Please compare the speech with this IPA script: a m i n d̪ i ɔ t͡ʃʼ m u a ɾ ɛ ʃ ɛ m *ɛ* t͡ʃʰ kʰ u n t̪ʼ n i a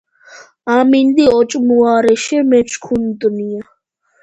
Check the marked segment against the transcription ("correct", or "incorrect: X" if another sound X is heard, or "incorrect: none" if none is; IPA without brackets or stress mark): correct